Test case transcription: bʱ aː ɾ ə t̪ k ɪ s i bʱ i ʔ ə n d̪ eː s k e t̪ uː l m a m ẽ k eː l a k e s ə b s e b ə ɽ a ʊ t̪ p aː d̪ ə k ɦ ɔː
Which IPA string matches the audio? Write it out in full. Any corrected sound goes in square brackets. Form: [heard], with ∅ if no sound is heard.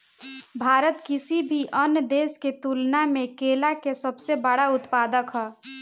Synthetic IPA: bʱ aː ɾ ə t̪ k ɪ s i bʱ i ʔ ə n d̪ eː s k e t̪ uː l [n] a m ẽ k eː l a k e s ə b s e b ə ɽ a ʊ t̪ p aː d̪ ə k ɦ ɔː